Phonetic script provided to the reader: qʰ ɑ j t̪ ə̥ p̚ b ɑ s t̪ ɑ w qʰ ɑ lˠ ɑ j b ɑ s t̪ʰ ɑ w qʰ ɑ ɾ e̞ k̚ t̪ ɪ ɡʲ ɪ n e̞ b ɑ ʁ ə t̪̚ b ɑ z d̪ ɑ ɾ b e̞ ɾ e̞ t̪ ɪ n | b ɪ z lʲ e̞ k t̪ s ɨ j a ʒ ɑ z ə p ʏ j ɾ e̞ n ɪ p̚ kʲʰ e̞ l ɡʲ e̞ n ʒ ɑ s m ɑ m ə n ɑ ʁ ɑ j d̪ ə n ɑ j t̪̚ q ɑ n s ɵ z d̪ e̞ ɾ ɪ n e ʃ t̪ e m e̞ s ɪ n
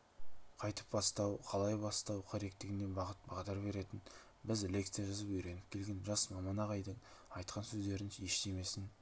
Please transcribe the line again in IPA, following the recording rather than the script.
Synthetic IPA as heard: qʰ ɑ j t̪ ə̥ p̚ b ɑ s t̪ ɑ w qʰ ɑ lˠ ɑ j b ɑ s t̪ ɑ w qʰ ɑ ɾ e̞ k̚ t̪ ɪ ɡʲ ɪ n e̞ b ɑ ʁ ə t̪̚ b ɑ ʁ d̪ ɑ ɾ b e̞ ɾ e̞ t̪ ɪ n | b ɪ z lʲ e̞ k t̪ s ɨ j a ʒ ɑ z ə p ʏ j ɾ e̞ n ɪ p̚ kʲʰ e̞ l ɡʲ e̞ n ʒ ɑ s m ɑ m ɑ n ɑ ʁ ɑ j d̪ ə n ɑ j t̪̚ q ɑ n s ɵ z d̪ e̞ ɾ ɪ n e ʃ t̪ e m e̞ s ɪ n